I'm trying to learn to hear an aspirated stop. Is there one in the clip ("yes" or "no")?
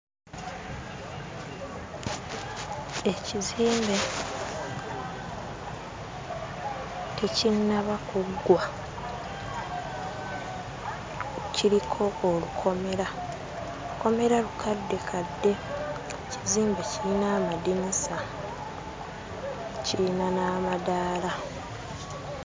yes